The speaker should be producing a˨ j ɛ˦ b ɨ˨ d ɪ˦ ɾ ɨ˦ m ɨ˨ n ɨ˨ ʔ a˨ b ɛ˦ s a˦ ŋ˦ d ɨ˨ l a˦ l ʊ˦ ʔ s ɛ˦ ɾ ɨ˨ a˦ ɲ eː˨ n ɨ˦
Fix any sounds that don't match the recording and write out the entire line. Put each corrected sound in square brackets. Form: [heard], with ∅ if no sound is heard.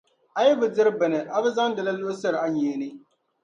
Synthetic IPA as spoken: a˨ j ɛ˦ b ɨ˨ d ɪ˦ ɾ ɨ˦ [b] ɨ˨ n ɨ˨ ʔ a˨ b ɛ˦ [z] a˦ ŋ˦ d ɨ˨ l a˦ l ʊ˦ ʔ s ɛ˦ ɾ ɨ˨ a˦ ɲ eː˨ n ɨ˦